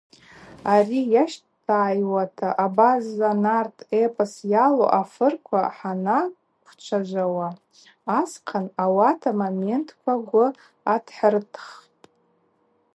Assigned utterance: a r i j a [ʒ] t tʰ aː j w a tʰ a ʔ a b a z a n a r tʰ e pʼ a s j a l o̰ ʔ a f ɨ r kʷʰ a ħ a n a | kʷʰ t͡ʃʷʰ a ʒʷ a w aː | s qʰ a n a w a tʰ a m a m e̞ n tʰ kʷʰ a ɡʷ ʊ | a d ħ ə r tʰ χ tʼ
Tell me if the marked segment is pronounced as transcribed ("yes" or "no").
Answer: no